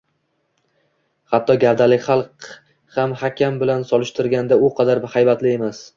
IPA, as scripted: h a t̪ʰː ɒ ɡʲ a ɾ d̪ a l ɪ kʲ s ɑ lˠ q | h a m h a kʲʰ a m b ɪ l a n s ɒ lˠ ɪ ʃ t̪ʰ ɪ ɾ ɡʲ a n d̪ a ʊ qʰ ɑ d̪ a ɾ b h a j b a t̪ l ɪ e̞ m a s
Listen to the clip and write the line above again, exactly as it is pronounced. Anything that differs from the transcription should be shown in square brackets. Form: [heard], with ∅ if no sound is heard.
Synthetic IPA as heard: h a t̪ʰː ɒ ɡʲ a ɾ d̪ a l ɪ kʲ [χ] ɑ lˠ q | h a m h a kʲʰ a m b ɪ l a n s ɒ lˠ ɪ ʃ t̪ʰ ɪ ɾ ɡʲ a n d̪ a ʊ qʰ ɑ d̪ a ɾ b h a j b a t̪ l ɪ e̞ m a s